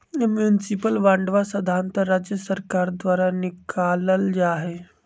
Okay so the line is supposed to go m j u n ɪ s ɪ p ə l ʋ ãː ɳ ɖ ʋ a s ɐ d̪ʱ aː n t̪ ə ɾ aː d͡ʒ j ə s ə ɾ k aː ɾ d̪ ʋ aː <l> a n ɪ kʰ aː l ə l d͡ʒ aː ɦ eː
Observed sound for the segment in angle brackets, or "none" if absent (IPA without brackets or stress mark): ɾ